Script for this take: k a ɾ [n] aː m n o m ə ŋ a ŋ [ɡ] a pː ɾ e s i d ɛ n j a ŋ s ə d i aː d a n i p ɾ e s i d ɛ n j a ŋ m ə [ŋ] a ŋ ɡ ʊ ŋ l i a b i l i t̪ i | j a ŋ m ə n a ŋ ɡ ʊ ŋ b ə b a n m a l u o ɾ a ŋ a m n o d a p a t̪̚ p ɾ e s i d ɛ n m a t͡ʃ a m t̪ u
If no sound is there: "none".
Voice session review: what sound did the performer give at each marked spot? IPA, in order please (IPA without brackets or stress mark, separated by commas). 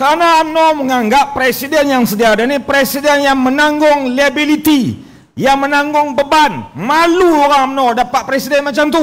n, ɡ, n